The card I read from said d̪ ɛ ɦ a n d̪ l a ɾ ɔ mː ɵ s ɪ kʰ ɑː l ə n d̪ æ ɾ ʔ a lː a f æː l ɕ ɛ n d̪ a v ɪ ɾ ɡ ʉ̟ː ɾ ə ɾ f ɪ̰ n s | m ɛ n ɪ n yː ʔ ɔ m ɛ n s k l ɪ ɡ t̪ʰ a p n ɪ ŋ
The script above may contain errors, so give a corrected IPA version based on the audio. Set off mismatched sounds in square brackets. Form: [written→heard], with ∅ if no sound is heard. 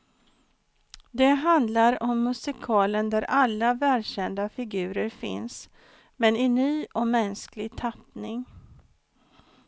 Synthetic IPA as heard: d̪ ɛ ɦ a n d̪ l a ɾ ɔ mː ɵ s ɪ kʰ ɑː l ə n d̪ æ ɾ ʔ a lː a [f→v] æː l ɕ ɛ n d̪ a [v→f] ɪ [ɾ→∅] ɡ ʉ̟ː ɾ ə ɾ f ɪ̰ n s | m ɛ n ɪ n yː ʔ ɔ m ɛ n s k l ɪ ɡ t̪ʰ a p n ɪ ŋ